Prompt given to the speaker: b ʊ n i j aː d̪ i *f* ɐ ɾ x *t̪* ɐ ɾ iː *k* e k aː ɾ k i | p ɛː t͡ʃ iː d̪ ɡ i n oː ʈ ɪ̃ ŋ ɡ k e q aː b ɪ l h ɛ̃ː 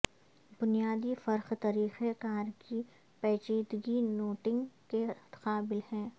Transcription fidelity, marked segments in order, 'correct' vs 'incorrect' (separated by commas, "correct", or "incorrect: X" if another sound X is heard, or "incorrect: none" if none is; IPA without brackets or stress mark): correct, correct, incorrect: x